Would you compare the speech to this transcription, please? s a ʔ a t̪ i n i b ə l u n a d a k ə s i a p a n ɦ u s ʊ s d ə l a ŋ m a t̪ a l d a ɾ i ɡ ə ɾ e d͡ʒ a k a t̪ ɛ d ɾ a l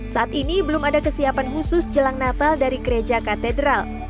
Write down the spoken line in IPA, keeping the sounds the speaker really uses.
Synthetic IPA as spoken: s a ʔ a t̪ i n i b ə l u m a d a k ə s i a p a n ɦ u s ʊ s d͡ʒ ə l a ŋ n a t̪ a l d a ɾ i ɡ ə ɾ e d͡ʒ a k a t̪ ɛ d ɾ a l